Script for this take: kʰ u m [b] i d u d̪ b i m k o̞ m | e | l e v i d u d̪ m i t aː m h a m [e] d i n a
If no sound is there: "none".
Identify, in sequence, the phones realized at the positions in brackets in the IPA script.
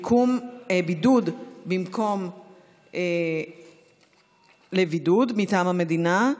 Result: b, e

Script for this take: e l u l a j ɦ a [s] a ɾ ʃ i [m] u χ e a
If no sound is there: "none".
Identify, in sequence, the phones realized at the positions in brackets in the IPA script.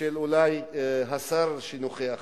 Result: s, n

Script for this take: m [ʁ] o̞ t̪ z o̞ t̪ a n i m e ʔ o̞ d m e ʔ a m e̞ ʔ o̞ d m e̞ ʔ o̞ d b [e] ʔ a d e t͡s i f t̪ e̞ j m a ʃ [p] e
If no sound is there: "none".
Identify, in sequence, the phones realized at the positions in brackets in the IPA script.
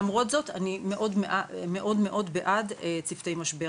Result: ʁ, e, b

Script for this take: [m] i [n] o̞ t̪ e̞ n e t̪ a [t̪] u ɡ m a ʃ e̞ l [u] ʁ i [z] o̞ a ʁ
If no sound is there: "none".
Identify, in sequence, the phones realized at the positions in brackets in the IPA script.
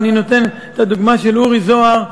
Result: n, n, d̪, u, z

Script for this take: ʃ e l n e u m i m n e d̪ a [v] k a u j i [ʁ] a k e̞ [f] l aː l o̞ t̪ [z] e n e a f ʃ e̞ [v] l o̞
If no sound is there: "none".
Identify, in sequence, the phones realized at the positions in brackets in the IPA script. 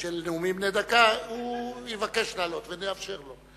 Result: none, v, ʃ, v, ʁ

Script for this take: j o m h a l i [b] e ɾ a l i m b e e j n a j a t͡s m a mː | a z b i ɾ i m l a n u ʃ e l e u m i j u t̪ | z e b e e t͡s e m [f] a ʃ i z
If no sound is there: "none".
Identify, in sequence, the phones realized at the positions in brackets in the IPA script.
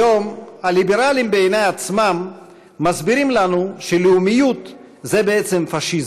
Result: b, f

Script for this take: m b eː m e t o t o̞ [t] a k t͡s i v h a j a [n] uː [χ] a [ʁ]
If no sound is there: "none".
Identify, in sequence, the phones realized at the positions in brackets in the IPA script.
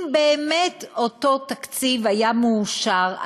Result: t, m, ʃ, ʁ

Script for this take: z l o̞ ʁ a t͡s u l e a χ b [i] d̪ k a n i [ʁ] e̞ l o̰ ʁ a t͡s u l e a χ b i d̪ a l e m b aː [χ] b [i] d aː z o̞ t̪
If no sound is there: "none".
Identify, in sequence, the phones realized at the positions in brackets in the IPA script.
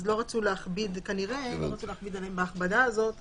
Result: i, ʁ, χ, a

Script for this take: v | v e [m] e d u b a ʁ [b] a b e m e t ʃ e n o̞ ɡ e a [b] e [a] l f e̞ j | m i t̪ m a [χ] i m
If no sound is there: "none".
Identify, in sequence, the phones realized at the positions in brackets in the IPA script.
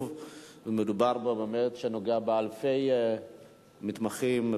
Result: m, b, b, a, χ

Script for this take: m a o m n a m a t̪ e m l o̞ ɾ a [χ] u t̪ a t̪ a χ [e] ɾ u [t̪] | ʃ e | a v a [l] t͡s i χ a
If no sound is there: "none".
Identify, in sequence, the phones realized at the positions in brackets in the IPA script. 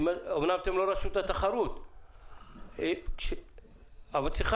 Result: ʃ, a, t̪, l

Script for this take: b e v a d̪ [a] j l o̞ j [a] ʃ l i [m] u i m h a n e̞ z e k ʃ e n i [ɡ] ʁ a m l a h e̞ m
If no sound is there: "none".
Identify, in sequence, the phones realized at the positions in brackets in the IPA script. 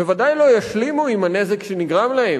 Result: a, a, m, ɡ

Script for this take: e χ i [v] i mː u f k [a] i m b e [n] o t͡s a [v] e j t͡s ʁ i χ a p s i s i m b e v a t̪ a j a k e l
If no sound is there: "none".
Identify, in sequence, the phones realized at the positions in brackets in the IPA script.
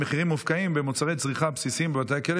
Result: ʁ, a, m, ʁ

